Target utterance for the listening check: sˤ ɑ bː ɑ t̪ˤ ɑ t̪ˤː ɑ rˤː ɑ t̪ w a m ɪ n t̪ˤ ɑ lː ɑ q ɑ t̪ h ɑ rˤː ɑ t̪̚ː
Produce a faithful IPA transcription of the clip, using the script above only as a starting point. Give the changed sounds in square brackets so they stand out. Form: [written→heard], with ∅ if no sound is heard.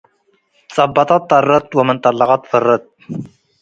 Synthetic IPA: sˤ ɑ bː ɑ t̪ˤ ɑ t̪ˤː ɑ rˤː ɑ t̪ w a m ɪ n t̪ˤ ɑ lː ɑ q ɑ t̪ [h→f] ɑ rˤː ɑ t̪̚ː